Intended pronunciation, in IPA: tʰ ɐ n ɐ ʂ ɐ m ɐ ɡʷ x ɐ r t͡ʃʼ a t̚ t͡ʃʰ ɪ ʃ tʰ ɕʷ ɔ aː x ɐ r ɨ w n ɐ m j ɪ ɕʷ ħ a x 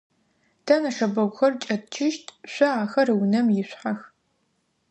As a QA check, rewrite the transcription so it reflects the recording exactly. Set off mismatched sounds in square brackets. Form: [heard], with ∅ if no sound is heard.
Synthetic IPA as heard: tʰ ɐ n ɐ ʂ ɐ [b] ɐ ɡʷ x ɐ r t͡ʃʼ [ɐ] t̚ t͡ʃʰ ɪ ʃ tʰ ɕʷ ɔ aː x ɐ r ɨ w n ɐ m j ɪ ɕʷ ħ a x